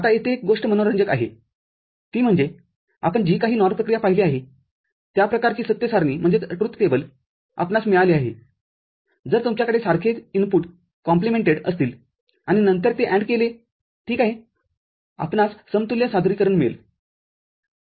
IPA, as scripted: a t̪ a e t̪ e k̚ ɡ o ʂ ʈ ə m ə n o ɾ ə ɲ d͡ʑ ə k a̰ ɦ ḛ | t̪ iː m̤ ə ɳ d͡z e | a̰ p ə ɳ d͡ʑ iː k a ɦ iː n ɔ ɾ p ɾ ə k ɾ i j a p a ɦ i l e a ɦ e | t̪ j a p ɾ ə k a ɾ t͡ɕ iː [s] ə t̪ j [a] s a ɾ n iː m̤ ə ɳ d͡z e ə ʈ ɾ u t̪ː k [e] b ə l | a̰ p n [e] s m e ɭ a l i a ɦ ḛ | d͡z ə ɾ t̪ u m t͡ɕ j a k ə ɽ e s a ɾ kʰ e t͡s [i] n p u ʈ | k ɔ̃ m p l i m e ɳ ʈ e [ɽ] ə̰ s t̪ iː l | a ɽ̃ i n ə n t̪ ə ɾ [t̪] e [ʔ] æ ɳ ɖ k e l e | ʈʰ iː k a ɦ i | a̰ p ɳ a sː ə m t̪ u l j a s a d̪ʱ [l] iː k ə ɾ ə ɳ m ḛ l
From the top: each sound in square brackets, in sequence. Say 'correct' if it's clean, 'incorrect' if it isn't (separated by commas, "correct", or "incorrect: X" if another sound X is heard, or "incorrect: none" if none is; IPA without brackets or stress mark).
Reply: correct, incorrect: ə, correct, incorrect: a, correct, correct, correct, correct, incorrect: ɾ